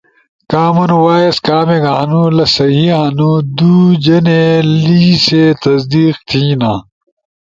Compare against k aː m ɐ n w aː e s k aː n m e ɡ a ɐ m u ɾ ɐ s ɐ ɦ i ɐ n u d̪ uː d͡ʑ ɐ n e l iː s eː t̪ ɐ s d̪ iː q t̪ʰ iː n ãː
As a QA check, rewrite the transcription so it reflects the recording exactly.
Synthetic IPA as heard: k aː m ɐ n w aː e s k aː m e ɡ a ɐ n u l ɐ s ɐ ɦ i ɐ n u d̪ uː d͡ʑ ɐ n e l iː s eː t̪ ɐ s d̪ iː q t̪ʰ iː n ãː